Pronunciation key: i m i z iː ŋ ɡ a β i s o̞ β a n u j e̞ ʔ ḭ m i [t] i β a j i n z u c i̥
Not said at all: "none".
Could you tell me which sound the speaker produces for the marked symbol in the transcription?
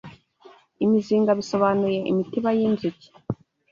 t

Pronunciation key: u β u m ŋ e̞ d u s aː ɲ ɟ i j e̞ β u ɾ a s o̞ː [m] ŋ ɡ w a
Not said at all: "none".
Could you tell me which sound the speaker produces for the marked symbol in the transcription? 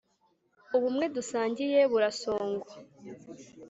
none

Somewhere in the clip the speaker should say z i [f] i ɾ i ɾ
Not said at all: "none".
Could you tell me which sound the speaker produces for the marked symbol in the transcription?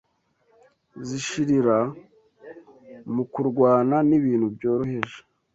ʃ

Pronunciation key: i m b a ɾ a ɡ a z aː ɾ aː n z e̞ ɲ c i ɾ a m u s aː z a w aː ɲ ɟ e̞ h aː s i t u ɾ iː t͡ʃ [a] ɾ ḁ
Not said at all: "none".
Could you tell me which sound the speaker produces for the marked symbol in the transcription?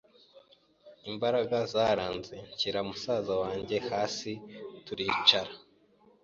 a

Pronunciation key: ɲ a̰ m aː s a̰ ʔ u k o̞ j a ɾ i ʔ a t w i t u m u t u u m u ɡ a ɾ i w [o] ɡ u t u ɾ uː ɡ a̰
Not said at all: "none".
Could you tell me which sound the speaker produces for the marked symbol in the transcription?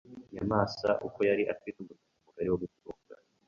o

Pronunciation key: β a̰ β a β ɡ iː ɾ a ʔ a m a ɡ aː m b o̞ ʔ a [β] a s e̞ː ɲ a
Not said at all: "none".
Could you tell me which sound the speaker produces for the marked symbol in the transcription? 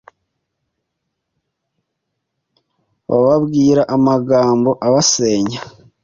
β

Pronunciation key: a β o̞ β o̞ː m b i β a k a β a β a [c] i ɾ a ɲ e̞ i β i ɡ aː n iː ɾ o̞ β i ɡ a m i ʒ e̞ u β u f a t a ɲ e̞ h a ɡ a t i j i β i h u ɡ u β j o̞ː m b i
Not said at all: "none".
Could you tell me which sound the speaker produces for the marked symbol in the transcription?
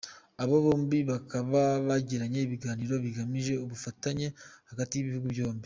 ɟ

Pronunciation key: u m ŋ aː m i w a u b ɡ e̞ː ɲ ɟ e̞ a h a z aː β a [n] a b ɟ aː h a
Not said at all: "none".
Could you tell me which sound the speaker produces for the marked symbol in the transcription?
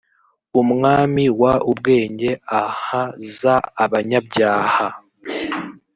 ɲ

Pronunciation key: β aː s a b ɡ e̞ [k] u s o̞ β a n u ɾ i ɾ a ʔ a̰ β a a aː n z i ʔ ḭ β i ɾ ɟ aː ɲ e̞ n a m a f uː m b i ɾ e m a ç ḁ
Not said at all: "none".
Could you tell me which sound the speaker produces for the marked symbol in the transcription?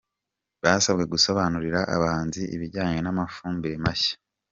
ɡ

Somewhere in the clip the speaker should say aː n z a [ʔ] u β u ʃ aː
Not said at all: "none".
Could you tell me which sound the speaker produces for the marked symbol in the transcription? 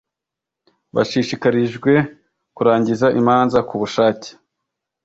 k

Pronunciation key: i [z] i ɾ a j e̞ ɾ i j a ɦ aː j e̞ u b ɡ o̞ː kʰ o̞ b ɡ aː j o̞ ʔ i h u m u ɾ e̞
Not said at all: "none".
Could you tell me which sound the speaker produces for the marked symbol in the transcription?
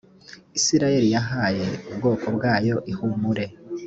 s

